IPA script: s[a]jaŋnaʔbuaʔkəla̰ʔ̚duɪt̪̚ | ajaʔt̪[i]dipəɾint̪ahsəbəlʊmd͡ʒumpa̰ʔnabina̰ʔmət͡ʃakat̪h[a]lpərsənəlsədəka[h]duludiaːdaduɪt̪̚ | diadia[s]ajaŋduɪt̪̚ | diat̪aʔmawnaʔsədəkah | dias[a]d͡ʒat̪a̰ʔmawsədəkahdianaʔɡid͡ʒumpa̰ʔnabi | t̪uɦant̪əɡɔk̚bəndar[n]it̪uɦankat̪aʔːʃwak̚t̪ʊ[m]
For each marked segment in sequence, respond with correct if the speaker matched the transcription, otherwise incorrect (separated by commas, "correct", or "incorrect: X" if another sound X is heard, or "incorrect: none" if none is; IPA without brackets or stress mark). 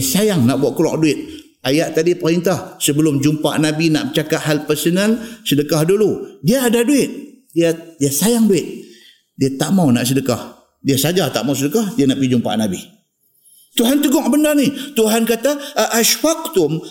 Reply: correct, incorrect: a, correct, correct, correct, correct, correct, correct